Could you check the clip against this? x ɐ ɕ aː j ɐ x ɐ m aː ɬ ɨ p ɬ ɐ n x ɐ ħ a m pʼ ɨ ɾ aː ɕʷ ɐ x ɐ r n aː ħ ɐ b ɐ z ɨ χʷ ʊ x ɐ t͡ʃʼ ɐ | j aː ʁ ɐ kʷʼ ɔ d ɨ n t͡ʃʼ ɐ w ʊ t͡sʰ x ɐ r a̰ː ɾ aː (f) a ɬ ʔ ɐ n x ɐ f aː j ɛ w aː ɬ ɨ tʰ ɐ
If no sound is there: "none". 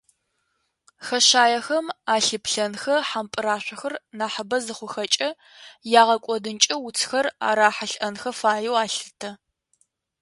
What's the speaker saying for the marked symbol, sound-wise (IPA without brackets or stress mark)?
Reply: ħ